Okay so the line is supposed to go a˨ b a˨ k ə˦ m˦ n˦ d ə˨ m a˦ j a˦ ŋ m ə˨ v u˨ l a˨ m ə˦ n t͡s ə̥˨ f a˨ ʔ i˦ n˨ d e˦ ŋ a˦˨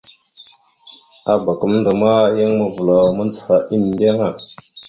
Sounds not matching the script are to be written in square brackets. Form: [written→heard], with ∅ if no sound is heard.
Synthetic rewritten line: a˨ b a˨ k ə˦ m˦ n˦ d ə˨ m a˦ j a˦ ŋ m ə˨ v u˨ l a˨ m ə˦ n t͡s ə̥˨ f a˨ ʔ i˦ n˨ d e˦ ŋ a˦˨